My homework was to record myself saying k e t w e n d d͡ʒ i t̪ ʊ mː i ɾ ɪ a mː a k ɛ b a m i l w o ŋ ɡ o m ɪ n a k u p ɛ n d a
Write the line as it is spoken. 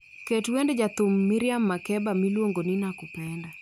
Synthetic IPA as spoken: k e t w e n d d͡ʒ a t̪ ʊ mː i ɾ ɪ a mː a k ɛ b a m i l w o ŋ ɡ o n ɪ n a k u p ɛ n d a